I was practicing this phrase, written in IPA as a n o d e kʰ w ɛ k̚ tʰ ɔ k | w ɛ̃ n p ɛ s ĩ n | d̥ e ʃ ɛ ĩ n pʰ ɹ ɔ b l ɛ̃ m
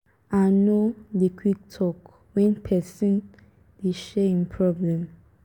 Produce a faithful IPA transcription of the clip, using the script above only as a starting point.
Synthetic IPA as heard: a n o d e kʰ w i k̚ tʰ ɔ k | w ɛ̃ n pʰ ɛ s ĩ n | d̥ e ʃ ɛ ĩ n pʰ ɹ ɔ b l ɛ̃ m